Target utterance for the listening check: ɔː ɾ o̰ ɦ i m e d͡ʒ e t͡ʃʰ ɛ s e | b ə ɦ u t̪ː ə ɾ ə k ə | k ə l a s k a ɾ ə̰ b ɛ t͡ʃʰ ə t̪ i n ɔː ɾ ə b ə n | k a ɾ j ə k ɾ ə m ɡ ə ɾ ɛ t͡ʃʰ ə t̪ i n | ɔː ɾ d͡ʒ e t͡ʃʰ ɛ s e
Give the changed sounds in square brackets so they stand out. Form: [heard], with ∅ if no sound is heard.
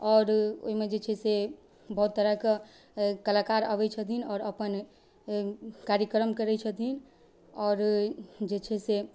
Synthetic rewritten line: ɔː ɾ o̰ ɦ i m e d͡ʒ e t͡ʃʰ ɛ s e | b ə ɦ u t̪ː ə ɾ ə k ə | k ə l a [∅] k a ɾ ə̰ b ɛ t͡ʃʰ ə t̪ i n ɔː ɾ ə [p] ə n | k a ɾ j ə k ɾ ə m [k] ə ɾ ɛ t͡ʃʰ ə t̪ i n | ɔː ɾ d͡ʒ e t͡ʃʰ ɛ s e